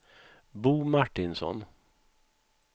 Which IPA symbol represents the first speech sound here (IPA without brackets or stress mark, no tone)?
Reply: b